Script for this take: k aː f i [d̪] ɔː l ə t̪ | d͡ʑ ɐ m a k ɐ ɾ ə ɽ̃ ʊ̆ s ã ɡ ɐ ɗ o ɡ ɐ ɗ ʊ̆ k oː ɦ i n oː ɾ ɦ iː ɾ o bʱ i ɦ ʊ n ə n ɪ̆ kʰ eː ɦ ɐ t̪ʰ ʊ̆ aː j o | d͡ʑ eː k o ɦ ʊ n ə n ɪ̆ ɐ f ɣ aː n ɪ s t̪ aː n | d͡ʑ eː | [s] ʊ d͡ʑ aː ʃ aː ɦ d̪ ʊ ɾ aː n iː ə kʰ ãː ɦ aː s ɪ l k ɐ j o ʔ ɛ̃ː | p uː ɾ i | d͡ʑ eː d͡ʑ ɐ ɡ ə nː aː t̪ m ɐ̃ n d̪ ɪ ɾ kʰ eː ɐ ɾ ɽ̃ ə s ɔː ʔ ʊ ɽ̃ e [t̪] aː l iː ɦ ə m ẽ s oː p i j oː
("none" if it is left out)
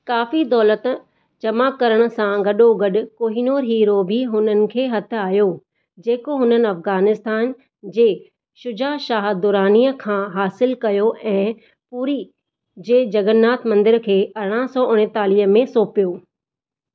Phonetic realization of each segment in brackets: d̪, ʃ, t̪

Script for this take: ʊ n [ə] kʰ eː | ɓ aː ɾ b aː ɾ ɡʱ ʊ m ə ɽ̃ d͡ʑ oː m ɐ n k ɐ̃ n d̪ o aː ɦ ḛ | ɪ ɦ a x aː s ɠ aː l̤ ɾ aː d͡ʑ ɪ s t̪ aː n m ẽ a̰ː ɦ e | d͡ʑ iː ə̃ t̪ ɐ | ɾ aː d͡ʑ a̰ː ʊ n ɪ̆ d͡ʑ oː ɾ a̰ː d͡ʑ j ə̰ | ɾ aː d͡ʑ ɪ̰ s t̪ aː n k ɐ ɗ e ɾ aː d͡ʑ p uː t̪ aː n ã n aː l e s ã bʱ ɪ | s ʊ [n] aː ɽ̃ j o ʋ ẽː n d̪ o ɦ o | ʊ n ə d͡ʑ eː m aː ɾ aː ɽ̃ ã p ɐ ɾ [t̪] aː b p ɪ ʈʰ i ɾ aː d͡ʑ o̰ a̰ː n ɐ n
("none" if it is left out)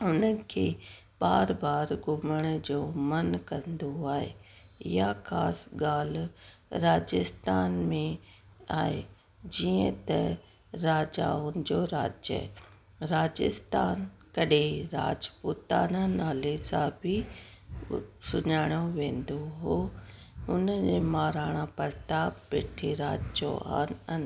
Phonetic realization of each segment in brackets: ə, ɲ, t̪

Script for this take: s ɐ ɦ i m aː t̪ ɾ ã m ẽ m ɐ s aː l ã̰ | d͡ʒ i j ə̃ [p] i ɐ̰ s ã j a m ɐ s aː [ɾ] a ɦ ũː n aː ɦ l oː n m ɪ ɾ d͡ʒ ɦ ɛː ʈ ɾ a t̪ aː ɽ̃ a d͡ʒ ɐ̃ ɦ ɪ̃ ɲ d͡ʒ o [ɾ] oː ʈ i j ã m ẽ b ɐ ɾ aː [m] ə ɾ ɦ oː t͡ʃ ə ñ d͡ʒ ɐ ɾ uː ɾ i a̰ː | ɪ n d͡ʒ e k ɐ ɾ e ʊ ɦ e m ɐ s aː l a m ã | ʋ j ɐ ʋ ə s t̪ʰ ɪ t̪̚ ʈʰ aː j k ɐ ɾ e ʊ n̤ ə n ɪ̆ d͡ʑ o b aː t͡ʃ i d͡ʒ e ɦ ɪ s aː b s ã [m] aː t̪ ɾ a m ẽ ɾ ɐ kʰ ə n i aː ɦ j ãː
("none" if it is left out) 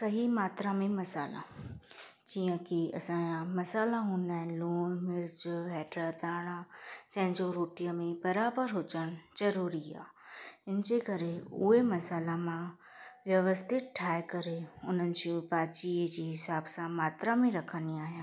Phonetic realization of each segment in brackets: k, l, ɾ, b, m

